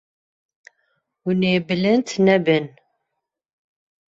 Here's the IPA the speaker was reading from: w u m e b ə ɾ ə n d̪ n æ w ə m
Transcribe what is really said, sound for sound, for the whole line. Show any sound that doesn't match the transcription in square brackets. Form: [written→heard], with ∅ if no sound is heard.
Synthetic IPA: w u [m→n] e b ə [ɾ→l] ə n [d̪→t̪] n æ [w→b] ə [m→n]